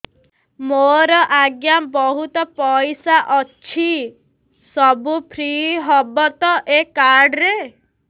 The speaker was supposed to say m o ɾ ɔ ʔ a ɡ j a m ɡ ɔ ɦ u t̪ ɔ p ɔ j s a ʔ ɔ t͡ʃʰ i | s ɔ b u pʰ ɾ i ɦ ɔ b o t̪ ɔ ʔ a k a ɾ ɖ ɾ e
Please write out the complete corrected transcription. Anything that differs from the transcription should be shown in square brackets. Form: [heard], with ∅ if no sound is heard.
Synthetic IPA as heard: m o ɾ ɔ ʔ a ɡ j a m [b] ɔ ɦ u t̪ ɔ p ɔ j s a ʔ ɔ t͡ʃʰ i | s ɔ b u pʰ ɾ i ɦ ɔ b [ɔ] t̪ ɔ ʔ [e] k a ɾ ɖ ɾ e

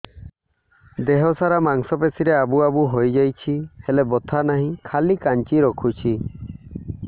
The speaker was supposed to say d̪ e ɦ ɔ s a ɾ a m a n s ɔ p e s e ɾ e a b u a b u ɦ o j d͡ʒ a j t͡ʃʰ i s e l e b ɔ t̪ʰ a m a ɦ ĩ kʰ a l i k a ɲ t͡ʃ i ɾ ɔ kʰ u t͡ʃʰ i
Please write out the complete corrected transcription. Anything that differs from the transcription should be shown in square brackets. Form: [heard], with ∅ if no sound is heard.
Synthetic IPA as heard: d̪ e ɦ ɔ s a ɾ a m a [ŋ] s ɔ p e s [i] ɾ e a b u a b u ɦ o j d͡ʒ a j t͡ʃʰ i [h] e l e b ɔ t̪ʰ a [n] a ɦ ĩ kʰ a l i k a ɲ t͡ʃ i ɾ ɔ kʰ u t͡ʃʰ i

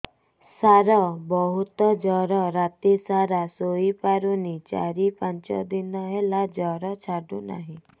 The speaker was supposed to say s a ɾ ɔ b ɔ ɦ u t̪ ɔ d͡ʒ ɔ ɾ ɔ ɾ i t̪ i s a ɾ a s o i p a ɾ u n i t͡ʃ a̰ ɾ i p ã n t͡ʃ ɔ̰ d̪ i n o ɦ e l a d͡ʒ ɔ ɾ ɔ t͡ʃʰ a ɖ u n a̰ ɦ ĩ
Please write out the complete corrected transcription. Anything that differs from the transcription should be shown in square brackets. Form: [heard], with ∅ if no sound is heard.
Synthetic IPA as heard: s a ɾ ɔ b ɔ ɦ u t̪ ɔ d͡ʒ ɔ ɾ ɔ ɾ [a] t̪ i s a ɾ a s o i p a ɾ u n i t͡ʃ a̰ ɾ i p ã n t͡ʃ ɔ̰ d̪ i n [ɔ] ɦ e l a d͡ʒ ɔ ɾ ɔ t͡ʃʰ a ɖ u n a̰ ɦ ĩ

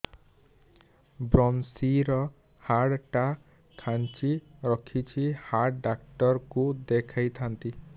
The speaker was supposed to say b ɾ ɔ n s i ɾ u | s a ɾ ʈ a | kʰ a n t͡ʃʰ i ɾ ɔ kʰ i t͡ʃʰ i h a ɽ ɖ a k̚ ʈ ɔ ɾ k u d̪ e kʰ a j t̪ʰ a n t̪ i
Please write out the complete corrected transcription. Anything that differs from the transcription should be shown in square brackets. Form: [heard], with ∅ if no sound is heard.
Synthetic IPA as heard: b ɾ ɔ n s i ɾ [ɔ] | [h] a [ɽ] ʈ a | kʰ a n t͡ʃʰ i ɾ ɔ kʰ i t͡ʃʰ i h a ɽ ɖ a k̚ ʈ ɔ ɾ k u d̪ e kʰ a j t̪ʰ a n t̪ i

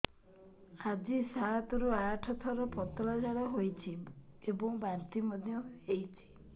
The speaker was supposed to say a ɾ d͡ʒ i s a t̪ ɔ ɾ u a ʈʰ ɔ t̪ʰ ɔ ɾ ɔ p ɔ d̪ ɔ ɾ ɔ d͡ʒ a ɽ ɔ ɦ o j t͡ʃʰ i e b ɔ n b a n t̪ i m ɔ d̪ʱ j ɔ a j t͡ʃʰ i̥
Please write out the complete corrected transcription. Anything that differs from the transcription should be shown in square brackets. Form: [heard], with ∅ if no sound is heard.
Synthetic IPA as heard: a [∅] d͡ʒ i s a t̪ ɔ ɾ u a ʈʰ ɔ t̪ʰ ɔ ɾ ɔ p ɔ [t̪] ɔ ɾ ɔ d͡ʒ a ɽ ɔ ɦ o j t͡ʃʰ i e b ɔ [ŋ] b a n t̪ i m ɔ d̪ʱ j ɔ [e] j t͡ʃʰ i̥

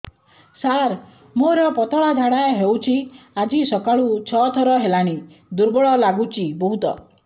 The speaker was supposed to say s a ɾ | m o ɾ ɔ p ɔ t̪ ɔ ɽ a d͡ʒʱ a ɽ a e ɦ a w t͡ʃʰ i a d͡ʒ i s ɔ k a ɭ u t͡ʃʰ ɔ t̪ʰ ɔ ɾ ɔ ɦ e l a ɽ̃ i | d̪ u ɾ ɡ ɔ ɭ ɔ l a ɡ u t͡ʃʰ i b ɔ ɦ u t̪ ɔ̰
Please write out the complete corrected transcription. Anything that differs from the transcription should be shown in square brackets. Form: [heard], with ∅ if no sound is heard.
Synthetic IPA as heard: s a ɾ | m o ɾ ɔ p ɔ t̪ ɔ [ɭ] a d͡ʒʱ a ɽ a e ɦ [e] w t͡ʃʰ i a d͡ʒ i s ɔ k a ɭ u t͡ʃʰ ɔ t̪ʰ ɔ ɾ ɔ ɦ e l a ɽ̃ i | d̪ u ɾ [b] ɔ ɭ ɔ l a ɡ u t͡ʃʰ i b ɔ ɦ u t̪ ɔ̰

